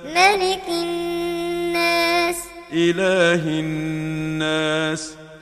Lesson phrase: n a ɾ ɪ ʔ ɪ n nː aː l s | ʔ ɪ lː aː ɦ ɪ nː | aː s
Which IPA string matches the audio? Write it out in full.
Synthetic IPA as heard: m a l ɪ k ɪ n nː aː s | ʔ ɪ l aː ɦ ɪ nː | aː s